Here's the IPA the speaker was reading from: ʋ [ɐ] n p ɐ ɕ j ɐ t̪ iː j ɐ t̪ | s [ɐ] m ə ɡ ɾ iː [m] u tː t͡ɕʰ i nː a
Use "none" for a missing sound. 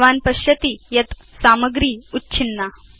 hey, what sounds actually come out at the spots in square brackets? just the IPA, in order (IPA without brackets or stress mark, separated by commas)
a, a, none